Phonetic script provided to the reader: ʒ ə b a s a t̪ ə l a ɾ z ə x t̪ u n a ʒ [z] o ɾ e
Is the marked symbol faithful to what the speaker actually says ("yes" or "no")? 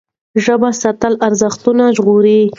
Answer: no